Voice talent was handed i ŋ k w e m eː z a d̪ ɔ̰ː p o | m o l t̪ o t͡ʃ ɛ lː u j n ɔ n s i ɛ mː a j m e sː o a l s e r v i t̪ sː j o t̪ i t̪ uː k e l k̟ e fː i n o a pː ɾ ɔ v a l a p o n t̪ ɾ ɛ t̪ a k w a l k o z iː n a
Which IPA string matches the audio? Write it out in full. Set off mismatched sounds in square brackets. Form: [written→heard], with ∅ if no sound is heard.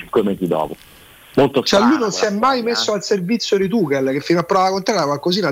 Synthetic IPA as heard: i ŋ k w e m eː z [a→i] d̪ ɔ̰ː p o | m o l t̪ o t͡ʃ ɛ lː u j n [ɔ→o] n s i ɛ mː a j m e sː o a l s e r v i t̪ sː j o [t̪→d̪] i t̪ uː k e l k̟ e fː i n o a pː ɾ ɔ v a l a [p→k] o n t̪ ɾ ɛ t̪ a k w a l k o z iː n a